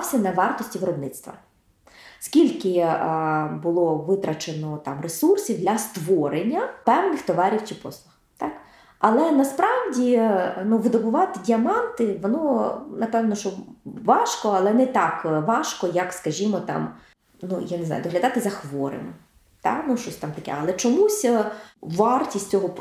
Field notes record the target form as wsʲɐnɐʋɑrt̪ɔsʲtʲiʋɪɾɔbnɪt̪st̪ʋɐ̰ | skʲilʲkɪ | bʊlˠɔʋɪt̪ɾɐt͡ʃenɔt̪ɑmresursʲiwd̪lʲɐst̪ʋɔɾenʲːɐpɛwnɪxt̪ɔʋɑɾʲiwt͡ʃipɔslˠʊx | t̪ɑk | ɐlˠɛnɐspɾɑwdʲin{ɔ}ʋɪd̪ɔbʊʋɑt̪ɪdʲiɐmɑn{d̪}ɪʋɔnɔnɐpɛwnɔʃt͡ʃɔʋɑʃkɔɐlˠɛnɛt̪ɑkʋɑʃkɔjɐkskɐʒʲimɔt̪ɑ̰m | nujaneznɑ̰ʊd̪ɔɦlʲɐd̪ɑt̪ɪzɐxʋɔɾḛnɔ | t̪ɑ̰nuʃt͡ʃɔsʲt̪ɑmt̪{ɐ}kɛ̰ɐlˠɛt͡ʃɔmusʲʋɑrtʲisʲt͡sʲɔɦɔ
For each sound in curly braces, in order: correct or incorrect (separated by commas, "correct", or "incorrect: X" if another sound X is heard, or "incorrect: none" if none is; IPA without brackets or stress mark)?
incorrect: u, incorrect: t̪, correct